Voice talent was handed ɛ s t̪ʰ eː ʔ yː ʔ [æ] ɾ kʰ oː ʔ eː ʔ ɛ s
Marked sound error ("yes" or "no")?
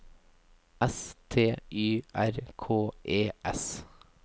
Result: no